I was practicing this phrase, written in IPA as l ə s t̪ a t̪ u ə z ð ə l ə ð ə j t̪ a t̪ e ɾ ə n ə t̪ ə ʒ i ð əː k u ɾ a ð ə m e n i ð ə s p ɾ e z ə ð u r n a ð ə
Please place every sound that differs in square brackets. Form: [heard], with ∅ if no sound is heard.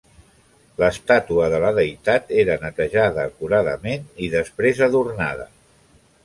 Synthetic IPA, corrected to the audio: l ə s t̪ a t̪ u ə [∅] ð ə l ə ð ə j t̪ a t̪ e ɾ ə n ə t̪ ə ʒ [a] ð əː k u ɾ a ð ə m e n i ð ə s p ɾ e z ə ð u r n a ð ə